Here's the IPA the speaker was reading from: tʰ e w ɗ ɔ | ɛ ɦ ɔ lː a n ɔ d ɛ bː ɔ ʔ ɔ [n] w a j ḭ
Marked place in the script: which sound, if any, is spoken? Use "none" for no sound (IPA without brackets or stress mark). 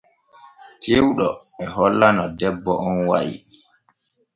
n